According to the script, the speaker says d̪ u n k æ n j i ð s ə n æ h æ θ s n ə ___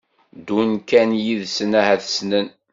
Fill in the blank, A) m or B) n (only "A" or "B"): B